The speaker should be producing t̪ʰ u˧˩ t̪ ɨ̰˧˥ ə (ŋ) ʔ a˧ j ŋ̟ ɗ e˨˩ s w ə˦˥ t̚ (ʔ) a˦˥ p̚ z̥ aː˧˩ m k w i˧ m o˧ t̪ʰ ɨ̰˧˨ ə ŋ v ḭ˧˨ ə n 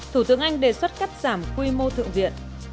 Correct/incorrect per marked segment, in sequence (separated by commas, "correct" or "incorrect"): correct, incorrect